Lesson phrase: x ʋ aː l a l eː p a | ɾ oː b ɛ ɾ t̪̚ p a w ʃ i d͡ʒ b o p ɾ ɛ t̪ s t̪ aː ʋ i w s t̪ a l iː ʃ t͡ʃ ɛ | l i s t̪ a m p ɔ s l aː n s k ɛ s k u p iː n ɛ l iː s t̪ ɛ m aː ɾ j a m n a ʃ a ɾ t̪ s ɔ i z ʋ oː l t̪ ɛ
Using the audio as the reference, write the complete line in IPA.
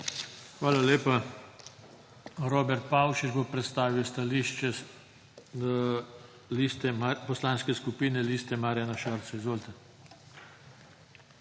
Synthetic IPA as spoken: x ʋ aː l a l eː p a | ɾ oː b ɛ ɾ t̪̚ p a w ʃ i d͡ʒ b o p ɾ ɛ t̪ s t̪ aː ʋ i w s t̪ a l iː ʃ t͡ʃ ɛ | l i s t̪ ɛ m p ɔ s l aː n s k ɛ s k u p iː n ɛ l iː s t̪ ɛ m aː ɾ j a n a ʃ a ɾ t̪ s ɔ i z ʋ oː l t̪ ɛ